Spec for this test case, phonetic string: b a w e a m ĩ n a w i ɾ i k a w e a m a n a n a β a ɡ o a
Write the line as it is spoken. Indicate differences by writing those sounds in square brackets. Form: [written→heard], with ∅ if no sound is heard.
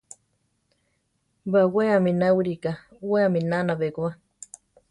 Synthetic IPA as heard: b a w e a m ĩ n a w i ɾ i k a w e a m [a→i] n a n a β [a→e] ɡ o a